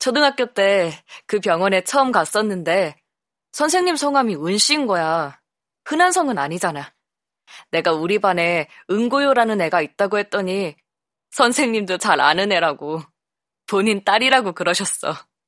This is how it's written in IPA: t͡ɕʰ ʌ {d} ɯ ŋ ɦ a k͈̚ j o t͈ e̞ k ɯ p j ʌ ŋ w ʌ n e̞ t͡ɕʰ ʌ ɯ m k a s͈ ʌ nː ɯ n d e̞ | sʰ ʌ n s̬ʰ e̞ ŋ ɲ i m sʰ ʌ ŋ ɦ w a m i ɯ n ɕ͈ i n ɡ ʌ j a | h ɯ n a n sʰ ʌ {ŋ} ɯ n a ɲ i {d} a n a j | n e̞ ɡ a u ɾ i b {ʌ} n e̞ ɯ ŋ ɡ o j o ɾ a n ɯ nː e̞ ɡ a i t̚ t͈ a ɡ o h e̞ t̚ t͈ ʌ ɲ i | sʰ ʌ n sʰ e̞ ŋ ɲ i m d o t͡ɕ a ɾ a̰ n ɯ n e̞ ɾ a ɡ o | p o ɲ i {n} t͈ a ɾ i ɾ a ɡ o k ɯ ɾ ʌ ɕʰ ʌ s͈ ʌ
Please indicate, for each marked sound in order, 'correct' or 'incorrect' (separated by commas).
correct, correct, incorrect, incorrect, correct